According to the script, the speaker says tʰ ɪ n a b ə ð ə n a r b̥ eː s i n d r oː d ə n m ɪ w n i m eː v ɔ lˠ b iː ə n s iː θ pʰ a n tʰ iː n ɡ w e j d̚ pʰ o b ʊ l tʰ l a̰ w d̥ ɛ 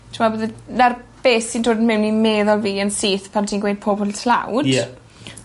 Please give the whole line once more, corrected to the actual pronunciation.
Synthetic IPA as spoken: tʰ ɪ m a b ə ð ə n a r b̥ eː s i n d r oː d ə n m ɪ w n i m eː ð ɔ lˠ v iː ə n s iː θ pʰ a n tʰ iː n ɡ w e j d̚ pʰ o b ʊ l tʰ l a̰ w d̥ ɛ